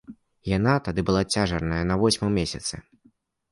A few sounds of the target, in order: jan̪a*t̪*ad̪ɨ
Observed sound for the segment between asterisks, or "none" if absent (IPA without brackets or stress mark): t̪